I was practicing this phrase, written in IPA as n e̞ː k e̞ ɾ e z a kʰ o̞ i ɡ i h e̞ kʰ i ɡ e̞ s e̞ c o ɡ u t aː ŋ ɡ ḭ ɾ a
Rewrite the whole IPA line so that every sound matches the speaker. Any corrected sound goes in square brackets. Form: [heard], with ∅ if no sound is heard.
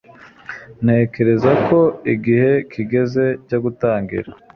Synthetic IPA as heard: n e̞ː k e̞ ɾ e z a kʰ o̞ i ɡ i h e̞ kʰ i ɡ e̞ [z] e̞ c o ɡ u t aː ŋ ɡ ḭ ɾ a

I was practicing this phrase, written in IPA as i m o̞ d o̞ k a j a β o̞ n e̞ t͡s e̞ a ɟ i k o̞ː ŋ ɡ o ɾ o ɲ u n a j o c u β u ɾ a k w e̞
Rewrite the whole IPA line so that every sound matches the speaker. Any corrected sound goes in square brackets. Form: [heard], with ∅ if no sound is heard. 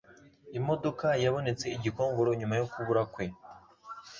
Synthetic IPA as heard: i m o̞ d o̞ k a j a β o̞ n e̞ t͡s e̞ [i] ɟ i k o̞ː ŋ ɡ o ɾ o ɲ u [m] a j o [k] u β u ɾ a k w e̞

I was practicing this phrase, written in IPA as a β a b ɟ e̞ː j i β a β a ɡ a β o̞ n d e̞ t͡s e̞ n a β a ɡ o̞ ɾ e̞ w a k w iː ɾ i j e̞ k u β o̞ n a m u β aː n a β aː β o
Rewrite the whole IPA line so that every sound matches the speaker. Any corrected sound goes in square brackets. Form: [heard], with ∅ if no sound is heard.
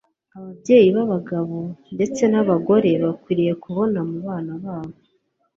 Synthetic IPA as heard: a β a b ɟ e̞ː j i β a β a ɡ a β o̞ n d e̞ t͡s e̞ n a β a ɡ o̞ ɾ e̞ [β] a k w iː ɾ i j e̞ k u β o̞ n a m u β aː n a β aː β o

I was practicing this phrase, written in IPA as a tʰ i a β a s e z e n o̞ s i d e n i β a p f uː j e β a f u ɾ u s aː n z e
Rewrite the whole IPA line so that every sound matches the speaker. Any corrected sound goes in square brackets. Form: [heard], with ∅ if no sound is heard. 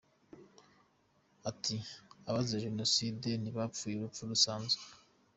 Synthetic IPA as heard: a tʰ i a β a [z] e [ʒ] e n o̞ s i d e n i β a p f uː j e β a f u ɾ u s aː n z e

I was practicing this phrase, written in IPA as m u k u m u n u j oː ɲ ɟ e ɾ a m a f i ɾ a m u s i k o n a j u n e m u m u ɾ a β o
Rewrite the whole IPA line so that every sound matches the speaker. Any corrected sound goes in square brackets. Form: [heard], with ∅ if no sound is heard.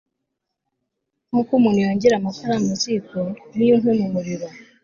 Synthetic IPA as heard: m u k u m u n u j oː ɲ ɟ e ɾ a m a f [a] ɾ a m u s i k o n [i] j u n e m u m u ɾ [i] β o

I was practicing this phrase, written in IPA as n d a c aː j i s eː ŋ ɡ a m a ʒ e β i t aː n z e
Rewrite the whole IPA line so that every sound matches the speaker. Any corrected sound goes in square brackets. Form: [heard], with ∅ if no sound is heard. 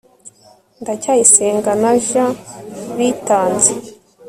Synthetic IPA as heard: n d a c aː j i s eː ŋ ɡ a [n] a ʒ [a] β i t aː n z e

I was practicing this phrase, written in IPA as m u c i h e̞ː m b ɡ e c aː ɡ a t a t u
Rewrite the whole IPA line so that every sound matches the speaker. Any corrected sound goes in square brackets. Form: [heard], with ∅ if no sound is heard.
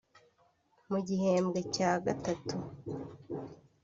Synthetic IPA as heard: m u [ɟ] i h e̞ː m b ɡ e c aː ɡ a t a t u

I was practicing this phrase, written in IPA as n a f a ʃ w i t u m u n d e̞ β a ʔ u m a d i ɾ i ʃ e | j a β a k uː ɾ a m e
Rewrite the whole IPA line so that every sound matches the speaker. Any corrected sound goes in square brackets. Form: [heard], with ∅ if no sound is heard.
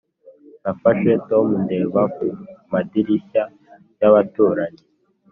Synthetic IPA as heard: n a f a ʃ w [e] t [o] m u n d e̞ β a [k] u m a d i ɾ i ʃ [a] | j a β a [t] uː ɾ a [ɲ] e

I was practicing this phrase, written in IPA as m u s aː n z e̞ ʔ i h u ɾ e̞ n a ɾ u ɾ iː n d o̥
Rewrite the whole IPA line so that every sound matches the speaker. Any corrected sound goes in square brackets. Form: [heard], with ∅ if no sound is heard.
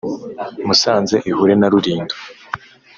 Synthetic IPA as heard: m u s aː n z e̞ ʔ i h u ɾ e̞ n a ɾ u ɾ iː n d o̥

